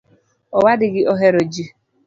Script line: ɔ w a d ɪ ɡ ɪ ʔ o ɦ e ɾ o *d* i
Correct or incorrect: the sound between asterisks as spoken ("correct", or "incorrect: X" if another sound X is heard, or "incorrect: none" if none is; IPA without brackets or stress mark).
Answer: incorrect: d͡ʒ